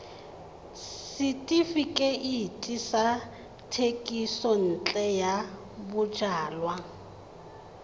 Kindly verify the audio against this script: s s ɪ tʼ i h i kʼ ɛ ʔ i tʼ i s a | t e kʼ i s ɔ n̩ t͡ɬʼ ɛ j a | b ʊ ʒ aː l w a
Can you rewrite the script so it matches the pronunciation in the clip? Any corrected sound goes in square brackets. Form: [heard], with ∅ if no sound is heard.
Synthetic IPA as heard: s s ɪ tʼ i [f] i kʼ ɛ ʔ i tʼ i s a | [tʰ] e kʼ i s ɔ n̩ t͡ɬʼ ɛ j a | b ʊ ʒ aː l w a